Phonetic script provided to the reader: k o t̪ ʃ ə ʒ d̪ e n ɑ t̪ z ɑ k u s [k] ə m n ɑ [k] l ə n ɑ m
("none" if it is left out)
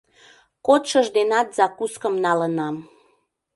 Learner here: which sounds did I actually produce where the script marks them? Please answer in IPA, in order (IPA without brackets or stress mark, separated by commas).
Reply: k, none